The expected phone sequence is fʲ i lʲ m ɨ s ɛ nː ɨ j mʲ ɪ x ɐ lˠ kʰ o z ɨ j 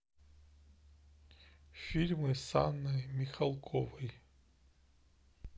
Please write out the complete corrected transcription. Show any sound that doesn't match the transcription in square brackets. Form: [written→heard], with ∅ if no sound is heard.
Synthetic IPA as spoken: fʲ i lʲ m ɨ s [ɛ→a] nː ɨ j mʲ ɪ x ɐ lˠ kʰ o [z→v] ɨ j